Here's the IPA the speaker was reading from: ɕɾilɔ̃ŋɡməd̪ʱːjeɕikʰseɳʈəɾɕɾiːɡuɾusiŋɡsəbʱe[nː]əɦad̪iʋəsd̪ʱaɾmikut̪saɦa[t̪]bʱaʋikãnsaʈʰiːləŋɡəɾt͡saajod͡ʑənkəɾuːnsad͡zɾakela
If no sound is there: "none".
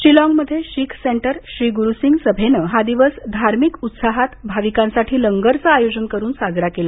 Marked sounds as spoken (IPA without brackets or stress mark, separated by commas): n, t̪